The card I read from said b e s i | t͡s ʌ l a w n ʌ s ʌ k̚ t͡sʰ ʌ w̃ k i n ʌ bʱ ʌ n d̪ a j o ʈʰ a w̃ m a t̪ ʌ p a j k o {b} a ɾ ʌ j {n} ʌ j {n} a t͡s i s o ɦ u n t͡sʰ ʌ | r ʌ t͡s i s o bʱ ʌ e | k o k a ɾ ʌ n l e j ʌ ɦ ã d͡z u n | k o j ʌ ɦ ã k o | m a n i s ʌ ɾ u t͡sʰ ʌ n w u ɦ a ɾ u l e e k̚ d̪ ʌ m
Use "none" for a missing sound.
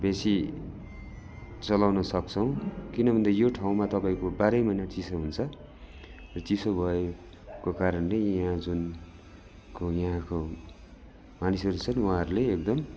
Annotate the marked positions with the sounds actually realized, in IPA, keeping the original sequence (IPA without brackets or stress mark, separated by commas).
b, m, n